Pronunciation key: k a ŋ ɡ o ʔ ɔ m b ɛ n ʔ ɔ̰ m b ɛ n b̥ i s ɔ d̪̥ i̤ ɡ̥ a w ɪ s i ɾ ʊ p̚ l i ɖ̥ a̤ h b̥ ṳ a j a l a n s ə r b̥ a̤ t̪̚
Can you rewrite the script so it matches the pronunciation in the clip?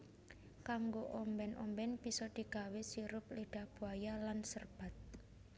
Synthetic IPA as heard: k a ŋ ɡ o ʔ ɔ m b ɛ n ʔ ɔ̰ m b ɛ n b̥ i s ɔ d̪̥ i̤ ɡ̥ a w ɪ s i ɾ ʊ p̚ l i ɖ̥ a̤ h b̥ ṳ a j a l a n s ə r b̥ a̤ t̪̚